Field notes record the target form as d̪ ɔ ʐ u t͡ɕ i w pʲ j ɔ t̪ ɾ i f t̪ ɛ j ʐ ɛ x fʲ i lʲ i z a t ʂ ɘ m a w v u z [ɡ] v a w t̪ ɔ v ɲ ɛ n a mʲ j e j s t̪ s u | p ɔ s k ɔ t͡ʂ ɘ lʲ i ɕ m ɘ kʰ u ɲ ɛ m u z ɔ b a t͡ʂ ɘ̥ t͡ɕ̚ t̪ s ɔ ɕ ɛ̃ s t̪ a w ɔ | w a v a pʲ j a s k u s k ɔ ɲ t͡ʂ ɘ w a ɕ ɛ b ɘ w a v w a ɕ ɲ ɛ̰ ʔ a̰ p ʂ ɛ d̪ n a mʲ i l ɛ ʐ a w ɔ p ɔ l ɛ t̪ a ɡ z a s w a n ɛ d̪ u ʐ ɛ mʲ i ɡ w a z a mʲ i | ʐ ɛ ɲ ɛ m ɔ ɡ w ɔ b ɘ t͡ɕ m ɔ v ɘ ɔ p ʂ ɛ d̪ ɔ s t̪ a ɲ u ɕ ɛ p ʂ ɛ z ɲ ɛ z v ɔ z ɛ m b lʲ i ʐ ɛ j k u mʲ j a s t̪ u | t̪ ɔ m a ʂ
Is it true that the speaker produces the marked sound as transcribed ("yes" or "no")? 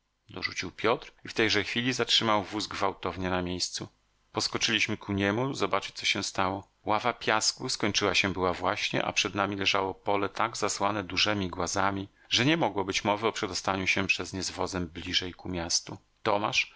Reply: yes